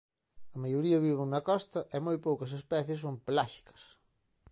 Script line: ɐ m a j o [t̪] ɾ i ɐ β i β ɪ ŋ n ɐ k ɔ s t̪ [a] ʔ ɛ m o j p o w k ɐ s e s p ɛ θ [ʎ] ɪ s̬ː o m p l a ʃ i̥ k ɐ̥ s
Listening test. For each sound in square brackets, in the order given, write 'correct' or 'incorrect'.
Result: incorrect, incorrect, incorrect

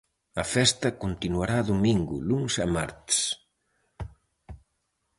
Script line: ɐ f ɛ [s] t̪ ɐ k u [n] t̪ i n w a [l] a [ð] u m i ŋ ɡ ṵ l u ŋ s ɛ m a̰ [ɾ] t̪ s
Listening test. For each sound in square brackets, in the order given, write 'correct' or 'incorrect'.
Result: correct, correct, incorrect, correct, correct

